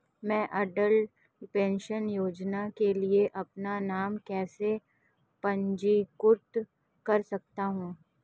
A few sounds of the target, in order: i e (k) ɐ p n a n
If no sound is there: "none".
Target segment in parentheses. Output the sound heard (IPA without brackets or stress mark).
ʔ